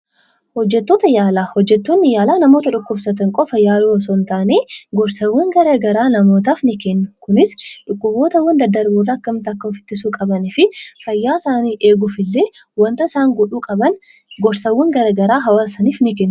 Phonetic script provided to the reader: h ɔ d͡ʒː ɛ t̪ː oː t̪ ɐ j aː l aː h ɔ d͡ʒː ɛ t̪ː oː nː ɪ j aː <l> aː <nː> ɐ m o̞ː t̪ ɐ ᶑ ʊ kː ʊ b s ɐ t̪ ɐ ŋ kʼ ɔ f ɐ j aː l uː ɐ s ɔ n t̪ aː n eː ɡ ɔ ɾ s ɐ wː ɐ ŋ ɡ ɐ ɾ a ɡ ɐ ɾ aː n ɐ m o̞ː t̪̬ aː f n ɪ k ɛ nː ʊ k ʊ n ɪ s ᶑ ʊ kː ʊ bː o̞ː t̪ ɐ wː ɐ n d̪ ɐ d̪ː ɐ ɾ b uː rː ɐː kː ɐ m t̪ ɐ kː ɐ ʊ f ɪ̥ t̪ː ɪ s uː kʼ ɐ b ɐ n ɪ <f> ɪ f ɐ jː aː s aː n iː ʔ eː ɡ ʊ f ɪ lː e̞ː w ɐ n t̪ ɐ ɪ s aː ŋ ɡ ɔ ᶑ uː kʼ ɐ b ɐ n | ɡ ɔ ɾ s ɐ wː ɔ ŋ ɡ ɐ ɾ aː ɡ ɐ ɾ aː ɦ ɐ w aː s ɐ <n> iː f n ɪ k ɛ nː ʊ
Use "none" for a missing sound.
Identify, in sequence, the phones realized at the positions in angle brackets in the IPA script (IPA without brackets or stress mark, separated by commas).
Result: l, n, f, n